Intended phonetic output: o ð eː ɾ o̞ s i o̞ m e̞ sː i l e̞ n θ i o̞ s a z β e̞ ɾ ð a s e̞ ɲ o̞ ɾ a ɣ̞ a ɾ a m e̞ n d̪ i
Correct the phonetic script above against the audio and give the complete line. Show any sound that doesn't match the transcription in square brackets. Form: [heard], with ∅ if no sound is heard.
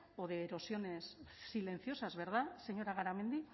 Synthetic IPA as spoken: o ð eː ɾ o̞ s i o̞ [n] e̞ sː i l e̞ n θ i o̞ s a z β e̞ ɾ ð a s e̞ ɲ o̞ ɾ a ɣ̞ a ɾ a m e̞ n d̪ i